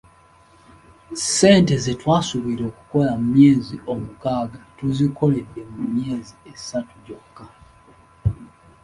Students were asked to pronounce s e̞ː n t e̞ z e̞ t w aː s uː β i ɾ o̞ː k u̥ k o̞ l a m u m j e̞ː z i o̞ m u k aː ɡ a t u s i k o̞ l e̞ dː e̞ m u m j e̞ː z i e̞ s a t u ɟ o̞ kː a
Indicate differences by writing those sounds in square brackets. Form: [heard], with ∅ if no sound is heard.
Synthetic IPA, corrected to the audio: s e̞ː n t e̞ z e̞ t w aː s [u] β i ɾ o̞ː k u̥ k o̞ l a m u m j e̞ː z i o̞ m u k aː ɡ a t u [z] i k o̞ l e̞ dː e̞ m u m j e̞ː z i e̞ s a t u ɟ o̞ kː a

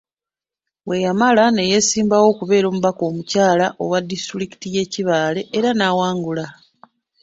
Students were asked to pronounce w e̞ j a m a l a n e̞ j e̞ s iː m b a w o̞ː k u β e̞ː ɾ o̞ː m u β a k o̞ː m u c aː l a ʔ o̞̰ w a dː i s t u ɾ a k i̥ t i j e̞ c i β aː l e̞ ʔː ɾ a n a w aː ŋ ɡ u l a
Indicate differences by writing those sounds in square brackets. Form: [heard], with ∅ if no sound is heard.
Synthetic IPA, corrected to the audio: w e̞ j a m a l a n e̞ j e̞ s iː m b a w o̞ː k u β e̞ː ɾ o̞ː m u β a k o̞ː m u c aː l a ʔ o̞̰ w a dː i s t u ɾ [i] k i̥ t i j e̞ c i β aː l e̞ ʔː ɾ a n a w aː ŋ ɡ u l a

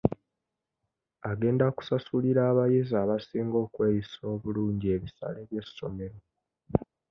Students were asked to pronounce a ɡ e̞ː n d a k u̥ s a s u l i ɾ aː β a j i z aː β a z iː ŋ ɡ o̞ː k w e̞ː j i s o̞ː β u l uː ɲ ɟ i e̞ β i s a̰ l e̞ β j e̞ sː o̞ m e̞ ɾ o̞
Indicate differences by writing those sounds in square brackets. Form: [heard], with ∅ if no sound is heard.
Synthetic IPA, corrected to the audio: a ɡ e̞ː n d a k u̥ s a s u l i ɾ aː β a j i z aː β a [s] iː ŋ ɡ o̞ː k w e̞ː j i s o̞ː β u l uː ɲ ɟ i e̞ β i s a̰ l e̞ β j e̞ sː o̞ m e̞ ɾ o̞

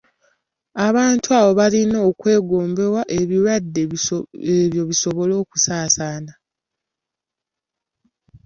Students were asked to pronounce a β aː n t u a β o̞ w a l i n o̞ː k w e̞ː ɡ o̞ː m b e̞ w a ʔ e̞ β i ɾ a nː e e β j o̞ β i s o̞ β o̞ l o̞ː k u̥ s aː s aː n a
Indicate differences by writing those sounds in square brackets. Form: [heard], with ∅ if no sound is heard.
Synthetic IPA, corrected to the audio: a β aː n t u a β o̞ [β] a l i n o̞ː k w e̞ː ɡ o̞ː m b e̞ w a ʔ e̞ β i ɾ a [dː] e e β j o̞ β i s o̞ β o̞ l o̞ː k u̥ s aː s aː n a

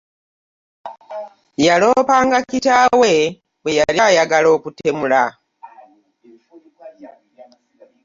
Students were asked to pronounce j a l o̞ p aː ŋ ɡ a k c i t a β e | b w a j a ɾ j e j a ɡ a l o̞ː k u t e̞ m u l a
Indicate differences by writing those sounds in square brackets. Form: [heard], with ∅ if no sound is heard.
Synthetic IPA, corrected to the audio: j a l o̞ p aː ŋ ɡ a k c i t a [w] e | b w [e] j a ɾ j [a] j a ɡ a l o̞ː k u t e̞ m u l a

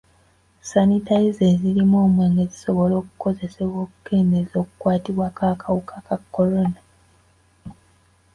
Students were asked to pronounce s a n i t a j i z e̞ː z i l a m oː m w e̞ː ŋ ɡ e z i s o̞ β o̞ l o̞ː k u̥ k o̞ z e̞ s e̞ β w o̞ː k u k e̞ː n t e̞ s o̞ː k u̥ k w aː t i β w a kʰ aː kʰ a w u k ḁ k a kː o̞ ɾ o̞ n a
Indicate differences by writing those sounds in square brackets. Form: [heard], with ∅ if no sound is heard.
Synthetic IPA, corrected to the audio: s a n i t a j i z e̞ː z i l [i] m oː m w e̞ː ŋ ɡ e z i s o̞ β o̞ l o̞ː k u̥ k o̞ z e̞ s e̞ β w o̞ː k u k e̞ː n [d] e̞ [z] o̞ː k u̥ k w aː t i β w a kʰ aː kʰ a w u k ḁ k a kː o̞ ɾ o̞ n a

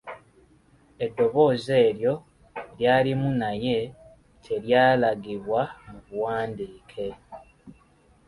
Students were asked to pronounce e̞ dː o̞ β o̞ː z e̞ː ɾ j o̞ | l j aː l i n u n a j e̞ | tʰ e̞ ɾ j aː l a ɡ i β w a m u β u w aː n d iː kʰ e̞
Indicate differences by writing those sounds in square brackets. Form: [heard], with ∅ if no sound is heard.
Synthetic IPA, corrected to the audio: e̞ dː o̞ β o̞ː z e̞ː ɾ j o̞ | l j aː l i [m] u n a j e̞ | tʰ e̞ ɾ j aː l a ɡ i β w a m u β u w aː n d iː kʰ e̞

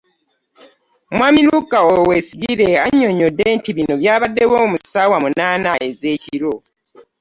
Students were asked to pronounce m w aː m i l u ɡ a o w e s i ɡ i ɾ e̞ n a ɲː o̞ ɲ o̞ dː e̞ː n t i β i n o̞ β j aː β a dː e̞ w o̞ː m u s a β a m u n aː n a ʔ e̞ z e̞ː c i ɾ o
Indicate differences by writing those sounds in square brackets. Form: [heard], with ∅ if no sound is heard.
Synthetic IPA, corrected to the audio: m w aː m i l u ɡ a o w e s i ɡ i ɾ e̞ [∅] a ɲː o̞ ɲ o̞ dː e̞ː n t i β i n o̞ β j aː β a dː e̞ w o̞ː m u s a [w] a m u n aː n a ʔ e̞ z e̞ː c i ɾ o

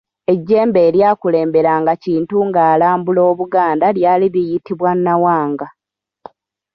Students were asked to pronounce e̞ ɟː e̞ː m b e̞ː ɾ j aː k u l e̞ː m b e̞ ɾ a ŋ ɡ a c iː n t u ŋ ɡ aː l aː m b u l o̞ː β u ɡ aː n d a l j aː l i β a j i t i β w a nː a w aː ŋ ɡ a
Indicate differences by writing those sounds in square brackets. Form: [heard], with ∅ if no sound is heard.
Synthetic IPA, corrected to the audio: e̞ ɟː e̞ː m b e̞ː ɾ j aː k u l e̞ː m b e̞ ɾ a ŋ ɡ a c iː n t u ŋ ɡ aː l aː m b u l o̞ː β u ɡ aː n d a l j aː l i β [i] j i t i β w a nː a w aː ŋ ɡ a

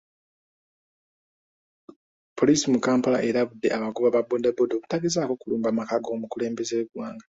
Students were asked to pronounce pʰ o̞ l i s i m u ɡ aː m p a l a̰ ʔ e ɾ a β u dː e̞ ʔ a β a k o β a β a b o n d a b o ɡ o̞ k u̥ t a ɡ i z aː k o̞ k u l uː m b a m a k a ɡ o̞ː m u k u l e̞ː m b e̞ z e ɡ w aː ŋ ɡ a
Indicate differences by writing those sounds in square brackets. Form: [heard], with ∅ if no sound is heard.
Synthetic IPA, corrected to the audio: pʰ o̞ l i s i m u [k] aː m p a l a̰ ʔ e ɾ a β u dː e̞ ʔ a β a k [u] β a β a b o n d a b o [d] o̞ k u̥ t a ɡ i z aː k o̞ k u l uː m b a m a k a ɡ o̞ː m u k u l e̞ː m b e̞ z e ɡ w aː ŋ ɡ a

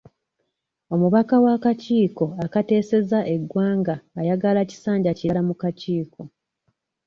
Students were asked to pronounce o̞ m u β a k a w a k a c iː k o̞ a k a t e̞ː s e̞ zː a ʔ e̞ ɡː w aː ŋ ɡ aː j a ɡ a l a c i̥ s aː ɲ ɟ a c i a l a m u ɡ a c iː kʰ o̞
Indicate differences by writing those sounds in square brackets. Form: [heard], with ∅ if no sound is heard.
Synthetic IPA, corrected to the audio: o̞ m u β a k a w a k a c iː k o̞ a k a t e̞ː s e̞ [z] a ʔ e̞ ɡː w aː ŋ ɡ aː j a ɡ a l a c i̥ s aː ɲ ɟ a c i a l a m u [k] a c iː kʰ o̞

